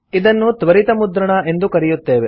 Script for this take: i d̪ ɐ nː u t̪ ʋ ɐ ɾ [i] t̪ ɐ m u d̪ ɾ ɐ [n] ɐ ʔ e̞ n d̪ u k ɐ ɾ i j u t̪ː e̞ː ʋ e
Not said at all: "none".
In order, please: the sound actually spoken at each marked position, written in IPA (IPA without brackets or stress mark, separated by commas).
i, ɳ